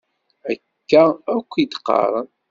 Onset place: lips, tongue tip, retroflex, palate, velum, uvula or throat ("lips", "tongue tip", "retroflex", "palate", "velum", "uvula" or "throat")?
velum